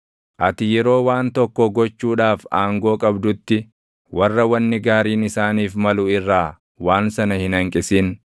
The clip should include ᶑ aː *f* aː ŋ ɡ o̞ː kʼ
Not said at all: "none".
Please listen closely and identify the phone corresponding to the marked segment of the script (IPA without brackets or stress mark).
f